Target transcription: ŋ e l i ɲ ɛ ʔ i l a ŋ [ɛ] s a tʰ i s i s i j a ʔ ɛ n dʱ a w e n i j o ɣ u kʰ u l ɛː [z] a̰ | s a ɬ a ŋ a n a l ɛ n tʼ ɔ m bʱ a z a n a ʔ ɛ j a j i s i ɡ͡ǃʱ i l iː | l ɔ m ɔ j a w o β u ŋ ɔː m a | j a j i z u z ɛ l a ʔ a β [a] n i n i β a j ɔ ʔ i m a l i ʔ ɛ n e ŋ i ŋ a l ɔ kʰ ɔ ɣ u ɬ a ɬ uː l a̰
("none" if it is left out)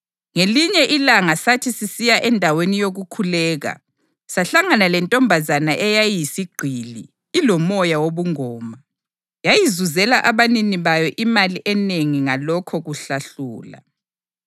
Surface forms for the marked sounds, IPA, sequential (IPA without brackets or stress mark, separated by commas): a, ɣ, a